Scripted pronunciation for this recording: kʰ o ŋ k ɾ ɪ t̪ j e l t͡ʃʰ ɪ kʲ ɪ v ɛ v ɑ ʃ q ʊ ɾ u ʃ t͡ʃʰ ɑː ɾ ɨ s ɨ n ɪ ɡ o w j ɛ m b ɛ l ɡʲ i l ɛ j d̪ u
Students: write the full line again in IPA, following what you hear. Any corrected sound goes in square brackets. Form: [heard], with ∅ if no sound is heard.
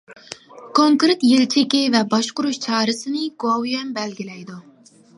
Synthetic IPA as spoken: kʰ o ŋ k ɾ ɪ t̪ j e l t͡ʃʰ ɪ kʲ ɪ v ɛ [b] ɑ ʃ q ʊ ɾ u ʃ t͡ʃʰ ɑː ɾ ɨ s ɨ n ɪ ɡ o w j ɛ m b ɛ l ɡʲ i l ɛ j d̪ u